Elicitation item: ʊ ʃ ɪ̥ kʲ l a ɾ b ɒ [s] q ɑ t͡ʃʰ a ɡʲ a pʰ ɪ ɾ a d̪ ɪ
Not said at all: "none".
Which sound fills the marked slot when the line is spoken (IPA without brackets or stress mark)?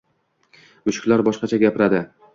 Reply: ʃ